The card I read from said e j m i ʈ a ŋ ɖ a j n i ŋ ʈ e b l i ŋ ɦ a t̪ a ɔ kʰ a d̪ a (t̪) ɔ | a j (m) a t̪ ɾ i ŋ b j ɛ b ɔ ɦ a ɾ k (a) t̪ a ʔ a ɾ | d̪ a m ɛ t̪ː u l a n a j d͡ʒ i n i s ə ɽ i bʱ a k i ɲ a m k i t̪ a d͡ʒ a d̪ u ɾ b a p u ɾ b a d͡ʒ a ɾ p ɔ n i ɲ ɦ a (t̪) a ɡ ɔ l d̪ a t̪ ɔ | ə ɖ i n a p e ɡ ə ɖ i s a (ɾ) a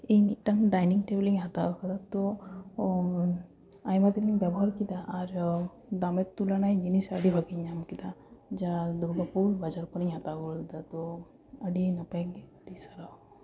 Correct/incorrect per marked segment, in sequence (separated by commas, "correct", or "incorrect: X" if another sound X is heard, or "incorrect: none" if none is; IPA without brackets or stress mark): correct, correct, incorrect: i, correct, correct